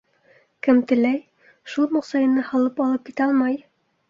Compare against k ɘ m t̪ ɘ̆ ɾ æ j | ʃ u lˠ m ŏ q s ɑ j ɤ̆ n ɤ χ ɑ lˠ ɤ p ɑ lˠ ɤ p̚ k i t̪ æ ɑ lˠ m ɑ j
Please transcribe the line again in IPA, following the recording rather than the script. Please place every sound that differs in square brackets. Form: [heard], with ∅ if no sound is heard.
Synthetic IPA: k ɘ m t̪ ɘ̆ [l] æ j | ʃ u lˠ m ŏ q s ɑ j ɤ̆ n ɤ [h] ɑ lˠ ɤ p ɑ lˠ ɤ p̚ k i t̪ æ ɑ lˠ m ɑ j